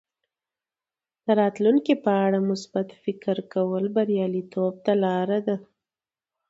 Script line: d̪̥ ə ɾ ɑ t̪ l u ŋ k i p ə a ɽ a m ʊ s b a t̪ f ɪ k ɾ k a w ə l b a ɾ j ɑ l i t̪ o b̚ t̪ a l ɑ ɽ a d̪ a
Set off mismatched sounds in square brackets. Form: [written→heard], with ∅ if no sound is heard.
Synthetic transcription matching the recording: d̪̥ ə ɾ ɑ t̪ l u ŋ k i p ə a ɽ a m ʊ s b a t̪ f ɪ k ɾ k a w ə l b a ɾ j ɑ l i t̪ o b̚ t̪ a l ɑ [ɽ→ɾ] a d̪ a